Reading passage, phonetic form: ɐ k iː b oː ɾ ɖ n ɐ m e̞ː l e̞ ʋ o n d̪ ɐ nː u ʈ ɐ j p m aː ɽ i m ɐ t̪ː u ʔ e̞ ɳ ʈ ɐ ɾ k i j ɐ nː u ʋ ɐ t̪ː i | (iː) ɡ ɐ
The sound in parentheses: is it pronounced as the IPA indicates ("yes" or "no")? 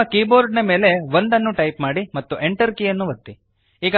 yes